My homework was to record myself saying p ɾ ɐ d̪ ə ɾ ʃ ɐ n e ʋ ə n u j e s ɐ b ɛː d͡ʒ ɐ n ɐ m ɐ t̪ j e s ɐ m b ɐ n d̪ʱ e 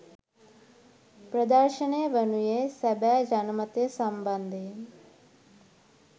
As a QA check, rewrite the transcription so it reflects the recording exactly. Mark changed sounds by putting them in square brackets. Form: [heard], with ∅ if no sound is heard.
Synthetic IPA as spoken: p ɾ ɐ d̪ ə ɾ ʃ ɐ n e ʋ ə n u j e s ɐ b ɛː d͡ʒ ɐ n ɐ m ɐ t̪ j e s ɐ m b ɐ n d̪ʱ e